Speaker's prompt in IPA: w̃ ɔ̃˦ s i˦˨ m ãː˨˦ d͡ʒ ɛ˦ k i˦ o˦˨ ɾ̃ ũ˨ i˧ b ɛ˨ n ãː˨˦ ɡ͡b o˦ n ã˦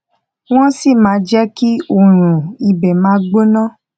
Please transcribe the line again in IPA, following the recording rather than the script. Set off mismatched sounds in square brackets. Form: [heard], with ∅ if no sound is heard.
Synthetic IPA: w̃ ɔ̃˦ s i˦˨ m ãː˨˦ d͡ʒ ɛ˦ k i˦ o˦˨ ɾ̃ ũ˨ i˧ b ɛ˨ [m] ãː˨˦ ɡ͡b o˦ n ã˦